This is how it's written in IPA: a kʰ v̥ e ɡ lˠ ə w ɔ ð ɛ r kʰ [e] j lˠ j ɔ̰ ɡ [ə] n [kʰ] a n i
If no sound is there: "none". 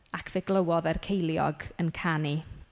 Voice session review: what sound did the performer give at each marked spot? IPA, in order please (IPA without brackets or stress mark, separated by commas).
e, ə, kʰ